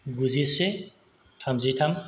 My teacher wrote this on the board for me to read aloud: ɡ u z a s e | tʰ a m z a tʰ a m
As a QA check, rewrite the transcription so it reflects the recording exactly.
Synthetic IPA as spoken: ɡ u z i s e | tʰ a m z i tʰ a m